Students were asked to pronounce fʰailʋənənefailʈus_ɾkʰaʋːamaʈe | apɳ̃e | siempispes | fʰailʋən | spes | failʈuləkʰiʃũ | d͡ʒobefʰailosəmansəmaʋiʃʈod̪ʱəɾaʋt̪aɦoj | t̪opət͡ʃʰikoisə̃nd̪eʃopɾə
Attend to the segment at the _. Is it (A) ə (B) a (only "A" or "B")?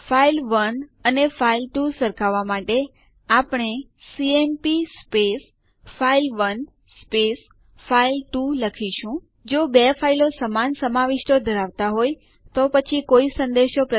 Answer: A